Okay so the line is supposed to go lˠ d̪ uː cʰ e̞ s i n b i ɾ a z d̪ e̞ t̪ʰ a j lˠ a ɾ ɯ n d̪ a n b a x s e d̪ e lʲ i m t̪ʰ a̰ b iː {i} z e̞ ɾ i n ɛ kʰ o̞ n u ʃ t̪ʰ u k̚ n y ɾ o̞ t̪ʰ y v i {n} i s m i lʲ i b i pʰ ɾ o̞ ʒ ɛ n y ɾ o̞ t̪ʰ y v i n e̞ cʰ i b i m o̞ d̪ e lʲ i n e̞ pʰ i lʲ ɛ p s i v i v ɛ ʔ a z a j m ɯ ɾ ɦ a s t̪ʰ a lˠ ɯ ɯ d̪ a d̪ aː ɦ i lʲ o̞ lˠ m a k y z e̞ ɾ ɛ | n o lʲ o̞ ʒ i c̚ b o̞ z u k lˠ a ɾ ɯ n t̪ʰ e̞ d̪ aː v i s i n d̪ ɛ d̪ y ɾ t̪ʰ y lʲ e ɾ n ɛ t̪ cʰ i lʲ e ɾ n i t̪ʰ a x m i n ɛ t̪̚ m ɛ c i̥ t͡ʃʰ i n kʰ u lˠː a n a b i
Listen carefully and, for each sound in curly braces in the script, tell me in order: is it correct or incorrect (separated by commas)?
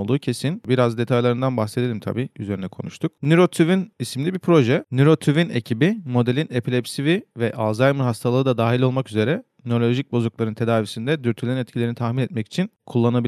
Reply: incorrect, correct